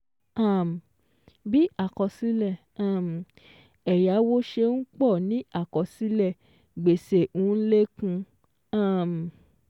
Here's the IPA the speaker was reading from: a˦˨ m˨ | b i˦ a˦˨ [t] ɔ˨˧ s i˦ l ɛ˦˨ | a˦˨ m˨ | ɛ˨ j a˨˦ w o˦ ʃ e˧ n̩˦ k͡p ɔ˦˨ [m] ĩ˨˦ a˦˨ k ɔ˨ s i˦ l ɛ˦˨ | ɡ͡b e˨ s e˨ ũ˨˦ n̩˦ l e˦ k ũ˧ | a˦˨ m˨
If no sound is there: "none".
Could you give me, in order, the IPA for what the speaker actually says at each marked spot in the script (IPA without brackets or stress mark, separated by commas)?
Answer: k, n